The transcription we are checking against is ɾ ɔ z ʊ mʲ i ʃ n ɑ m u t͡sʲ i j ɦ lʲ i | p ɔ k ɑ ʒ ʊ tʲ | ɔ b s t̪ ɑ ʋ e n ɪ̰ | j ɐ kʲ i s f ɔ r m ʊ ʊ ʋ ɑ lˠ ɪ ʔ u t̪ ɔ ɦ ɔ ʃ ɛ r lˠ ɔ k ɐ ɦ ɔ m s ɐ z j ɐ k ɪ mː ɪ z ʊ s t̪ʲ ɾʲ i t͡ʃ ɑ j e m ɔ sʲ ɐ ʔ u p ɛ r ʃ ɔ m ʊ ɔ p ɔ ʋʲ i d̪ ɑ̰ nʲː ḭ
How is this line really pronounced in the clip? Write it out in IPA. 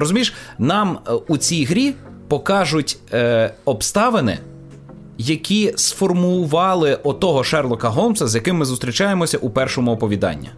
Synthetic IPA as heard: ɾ ɔ z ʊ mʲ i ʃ n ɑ m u t͡sʲ i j ɦ ɾʲ i | p ɔ k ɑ ʒ ʊ tʲ | ɔ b s t̪ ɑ ʋ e n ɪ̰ | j ɐ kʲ i s f ɔ r m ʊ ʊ ʋ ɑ lˠ ɪ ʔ ɔ t̪ ɔ ɦ ɔ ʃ ɛ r lˠ ɔ k ɐ ɦ ɔ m s ɐ z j ɐ k ɪ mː ɪ z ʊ s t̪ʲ ɾʲ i t͡ʃ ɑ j e m ɔ sʲ ɐ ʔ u p ɛ r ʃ ɔ m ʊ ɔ p ɔ ʋʲ i d̪ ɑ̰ nʲː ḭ